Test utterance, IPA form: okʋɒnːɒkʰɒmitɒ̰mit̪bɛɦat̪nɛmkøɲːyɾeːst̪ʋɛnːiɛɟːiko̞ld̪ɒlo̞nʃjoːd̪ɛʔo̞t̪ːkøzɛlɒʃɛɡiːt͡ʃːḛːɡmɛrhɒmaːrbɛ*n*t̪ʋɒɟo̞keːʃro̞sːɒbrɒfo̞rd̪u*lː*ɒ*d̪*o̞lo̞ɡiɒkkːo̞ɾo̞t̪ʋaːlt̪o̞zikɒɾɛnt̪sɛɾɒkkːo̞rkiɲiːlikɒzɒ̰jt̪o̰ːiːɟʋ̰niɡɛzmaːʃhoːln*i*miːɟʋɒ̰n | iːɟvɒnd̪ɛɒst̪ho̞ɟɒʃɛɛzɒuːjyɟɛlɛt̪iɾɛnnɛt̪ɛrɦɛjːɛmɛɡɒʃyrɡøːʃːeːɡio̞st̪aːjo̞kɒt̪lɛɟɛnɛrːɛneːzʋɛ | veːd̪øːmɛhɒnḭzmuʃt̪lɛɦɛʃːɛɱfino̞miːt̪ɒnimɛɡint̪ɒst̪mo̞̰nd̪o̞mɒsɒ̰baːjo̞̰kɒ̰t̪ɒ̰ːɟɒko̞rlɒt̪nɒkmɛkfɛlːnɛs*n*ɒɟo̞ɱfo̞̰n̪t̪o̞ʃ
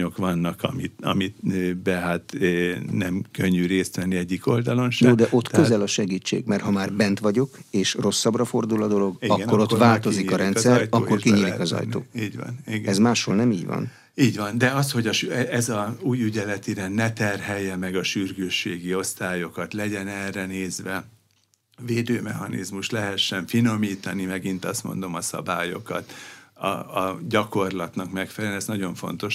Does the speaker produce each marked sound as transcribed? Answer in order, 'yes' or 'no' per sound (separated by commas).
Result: yes, no, yes, no, yes